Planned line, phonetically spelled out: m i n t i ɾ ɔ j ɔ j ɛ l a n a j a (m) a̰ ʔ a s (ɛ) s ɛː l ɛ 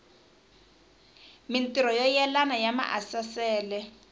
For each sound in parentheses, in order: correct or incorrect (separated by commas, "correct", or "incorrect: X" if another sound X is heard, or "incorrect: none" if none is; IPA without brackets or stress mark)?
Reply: correct, incorrect: a